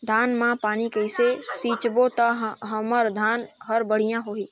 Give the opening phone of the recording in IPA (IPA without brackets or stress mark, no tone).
d̪ʱ